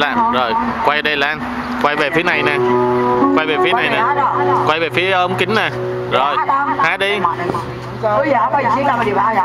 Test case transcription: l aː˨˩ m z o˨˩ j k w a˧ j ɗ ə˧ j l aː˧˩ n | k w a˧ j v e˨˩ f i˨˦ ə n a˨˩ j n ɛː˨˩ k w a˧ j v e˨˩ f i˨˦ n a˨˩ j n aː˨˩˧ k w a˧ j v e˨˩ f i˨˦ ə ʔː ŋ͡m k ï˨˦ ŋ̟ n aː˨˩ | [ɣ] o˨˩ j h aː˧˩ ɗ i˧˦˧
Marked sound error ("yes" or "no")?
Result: yes